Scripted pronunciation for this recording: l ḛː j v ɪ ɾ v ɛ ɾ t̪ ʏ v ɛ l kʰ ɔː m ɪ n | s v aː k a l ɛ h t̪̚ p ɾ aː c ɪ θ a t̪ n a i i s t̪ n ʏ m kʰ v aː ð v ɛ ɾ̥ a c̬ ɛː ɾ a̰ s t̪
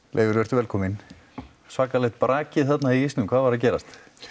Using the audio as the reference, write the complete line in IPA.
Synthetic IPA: l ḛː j v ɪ ɾ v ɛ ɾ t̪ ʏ v ɛ l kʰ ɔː m ɪ n | s v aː k a l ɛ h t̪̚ p ɾ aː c ɪ θ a t̪ n a i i s t̪ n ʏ m kʰ v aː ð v a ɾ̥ a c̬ ɛː ɾ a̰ s t̪